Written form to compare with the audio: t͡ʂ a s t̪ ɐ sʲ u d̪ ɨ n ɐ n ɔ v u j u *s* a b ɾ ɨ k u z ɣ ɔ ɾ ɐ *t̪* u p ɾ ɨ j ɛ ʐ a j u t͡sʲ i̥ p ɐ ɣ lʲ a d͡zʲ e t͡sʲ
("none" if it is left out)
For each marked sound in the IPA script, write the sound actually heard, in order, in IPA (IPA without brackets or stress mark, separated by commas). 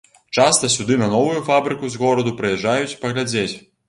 f, d̪